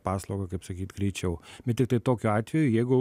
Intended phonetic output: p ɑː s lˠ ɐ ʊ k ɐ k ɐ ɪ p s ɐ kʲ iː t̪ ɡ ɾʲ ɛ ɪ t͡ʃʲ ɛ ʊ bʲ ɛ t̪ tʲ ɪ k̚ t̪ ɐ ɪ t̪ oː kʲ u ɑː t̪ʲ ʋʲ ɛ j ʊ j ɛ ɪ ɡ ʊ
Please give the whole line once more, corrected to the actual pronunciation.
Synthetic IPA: p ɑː s lˠ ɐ ʊ ɡ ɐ k ɐ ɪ p s ɐ kʲ iː t̪ ɡ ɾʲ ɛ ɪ t͡ʃʲ ɛ ʊ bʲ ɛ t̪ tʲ ɪ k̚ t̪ ɐ ɪ t̪ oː kʲ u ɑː t̪ʲ ʋʲ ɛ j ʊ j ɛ ɪ ɡ ʊ